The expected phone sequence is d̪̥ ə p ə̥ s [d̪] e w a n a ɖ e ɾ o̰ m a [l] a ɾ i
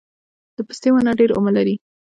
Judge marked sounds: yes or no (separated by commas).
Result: no, yes